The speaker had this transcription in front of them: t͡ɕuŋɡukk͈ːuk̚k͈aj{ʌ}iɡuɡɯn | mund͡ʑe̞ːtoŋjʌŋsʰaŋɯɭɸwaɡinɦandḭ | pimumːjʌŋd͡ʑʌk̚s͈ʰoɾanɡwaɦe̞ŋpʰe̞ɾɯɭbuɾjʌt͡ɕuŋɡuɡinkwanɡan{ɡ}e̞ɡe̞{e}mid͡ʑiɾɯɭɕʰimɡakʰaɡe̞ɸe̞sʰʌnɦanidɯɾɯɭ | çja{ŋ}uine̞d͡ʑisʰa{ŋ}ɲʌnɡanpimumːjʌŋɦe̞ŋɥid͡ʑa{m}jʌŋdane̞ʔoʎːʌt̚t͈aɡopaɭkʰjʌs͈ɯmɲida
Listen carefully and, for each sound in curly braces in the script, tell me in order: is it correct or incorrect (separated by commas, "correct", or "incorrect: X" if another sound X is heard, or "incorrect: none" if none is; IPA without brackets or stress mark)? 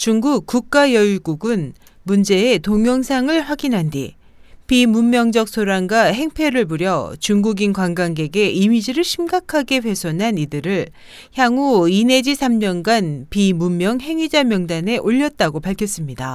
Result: correct, correct, incorrect: i, correct, incorrect: m, correct